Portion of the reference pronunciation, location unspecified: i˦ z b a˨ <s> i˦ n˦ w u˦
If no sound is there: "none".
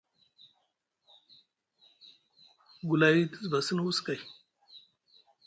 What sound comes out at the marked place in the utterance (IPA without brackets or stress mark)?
s